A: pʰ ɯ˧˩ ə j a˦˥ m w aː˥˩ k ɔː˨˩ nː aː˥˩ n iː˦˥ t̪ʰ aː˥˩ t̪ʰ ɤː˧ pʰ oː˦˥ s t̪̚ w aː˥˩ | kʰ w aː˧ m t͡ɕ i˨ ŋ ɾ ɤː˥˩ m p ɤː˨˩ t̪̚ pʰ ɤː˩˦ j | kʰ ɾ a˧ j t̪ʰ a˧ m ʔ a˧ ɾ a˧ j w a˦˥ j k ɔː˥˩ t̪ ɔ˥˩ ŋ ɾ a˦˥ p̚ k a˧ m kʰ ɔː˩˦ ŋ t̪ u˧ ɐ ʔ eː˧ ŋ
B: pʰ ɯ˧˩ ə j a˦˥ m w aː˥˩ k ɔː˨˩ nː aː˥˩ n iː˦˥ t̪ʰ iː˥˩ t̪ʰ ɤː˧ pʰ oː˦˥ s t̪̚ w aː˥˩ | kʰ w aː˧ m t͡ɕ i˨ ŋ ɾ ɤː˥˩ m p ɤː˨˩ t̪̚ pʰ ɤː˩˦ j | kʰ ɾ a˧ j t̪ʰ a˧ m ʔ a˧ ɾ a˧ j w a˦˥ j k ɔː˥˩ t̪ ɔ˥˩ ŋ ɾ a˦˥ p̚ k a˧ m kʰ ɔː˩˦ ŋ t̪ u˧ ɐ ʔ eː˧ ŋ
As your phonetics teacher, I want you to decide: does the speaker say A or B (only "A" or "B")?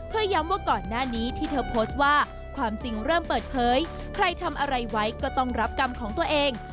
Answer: B